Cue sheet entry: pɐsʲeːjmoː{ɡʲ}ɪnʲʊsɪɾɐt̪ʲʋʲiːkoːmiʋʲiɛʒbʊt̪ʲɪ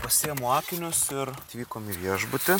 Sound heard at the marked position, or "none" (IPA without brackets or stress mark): kʲ